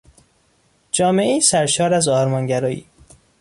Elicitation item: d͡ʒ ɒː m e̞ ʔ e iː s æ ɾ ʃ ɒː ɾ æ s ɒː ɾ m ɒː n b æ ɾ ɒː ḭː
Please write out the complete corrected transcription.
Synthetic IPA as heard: d͡ʒ ɒː m e̞ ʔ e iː s æ ɾ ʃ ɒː ɾ æ z ɒː ɾ m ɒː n ɟ æ ɾ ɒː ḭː